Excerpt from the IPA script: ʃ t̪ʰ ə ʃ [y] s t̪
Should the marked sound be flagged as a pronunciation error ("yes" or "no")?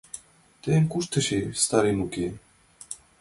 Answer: yes